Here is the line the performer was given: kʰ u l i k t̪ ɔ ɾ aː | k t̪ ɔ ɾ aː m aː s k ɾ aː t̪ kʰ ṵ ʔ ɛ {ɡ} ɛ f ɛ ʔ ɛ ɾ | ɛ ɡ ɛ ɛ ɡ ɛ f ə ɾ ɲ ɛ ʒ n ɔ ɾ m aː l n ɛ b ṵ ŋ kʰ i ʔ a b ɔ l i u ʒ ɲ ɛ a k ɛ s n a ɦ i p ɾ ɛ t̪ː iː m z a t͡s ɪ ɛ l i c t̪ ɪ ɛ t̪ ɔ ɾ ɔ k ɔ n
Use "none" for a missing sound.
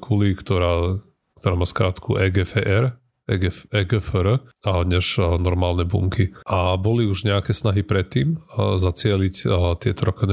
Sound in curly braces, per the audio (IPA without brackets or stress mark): ɡ